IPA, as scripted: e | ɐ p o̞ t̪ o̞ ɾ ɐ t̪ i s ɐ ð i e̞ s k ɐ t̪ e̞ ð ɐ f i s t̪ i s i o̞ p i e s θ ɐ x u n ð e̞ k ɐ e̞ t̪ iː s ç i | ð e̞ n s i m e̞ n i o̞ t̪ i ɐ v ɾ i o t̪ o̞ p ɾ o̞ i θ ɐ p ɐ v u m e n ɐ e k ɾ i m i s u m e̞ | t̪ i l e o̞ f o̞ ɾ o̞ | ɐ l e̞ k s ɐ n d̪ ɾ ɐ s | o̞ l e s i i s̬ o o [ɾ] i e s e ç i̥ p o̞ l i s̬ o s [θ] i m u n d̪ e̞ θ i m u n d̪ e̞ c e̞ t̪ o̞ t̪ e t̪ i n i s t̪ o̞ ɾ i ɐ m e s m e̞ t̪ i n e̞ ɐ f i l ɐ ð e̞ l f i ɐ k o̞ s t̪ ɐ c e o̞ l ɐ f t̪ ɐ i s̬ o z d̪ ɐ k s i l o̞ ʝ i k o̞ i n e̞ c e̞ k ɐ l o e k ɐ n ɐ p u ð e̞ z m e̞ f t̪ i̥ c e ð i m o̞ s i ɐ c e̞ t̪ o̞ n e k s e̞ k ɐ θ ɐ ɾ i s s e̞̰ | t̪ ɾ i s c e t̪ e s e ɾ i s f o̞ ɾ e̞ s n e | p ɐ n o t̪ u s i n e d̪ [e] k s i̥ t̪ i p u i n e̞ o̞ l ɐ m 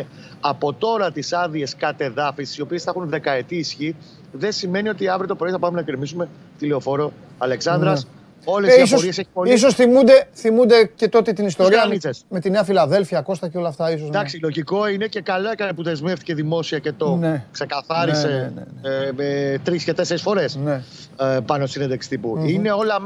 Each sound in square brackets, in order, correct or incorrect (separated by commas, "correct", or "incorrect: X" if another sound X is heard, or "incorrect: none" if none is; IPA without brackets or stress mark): correct, correct, correct